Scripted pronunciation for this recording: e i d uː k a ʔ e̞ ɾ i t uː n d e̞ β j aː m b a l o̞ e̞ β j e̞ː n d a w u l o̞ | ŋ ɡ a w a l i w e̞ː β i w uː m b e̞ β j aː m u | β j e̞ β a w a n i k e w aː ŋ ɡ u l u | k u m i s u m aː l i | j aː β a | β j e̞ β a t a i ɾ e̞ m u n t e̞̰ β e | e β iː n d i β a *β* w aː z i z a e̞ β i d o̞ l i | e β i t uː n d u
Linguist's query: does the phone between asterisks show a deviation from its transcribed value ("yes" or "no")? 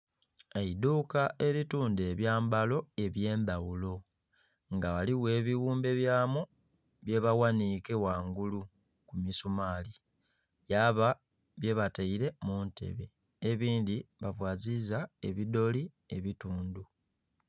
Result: yes